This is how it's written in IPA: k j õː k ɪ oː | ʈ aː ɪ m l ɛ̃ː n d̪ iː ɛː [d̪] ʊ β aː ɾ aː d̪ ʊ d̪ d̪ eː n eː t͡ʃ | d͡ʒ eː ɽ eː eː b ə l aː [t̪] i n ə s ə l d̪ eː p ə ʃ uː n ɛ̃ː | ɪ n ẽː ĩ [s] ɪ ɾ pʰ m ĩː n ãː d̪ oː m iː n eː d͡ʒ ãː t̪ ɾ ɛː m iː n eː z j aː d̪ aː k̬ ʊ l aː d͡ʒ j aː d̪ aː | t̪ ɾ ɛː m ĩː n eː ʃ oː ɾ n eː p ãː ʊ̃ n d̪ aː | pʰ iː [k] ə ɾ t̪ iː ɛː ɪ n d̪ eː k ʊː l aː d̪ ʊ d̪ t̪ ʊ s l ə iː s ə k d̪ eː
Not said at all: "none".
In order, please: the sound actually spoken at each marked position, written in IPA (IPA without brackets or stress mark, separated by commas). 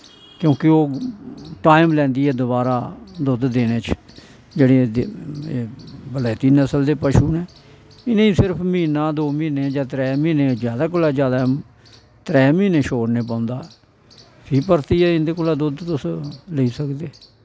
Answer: d̪, t̪, s, p